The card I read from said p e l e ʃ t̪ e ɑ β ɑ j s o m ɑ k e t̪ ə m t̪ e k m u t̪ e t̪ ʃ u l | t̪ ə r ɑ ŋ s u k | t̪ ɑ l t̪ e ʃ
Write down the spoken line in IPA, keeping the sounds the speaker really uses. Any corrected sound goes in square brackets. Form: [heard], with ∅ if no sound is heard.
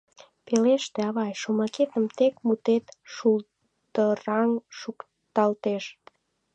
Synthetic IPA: p e l e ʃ t̪ e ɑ β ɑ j [ʃ] o m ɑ k e t̪ ə m t̪ e k m u t̪ e t̪ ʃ u l | t̪ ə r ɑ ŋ [ʃ] u k | t̪ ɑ l t̪ e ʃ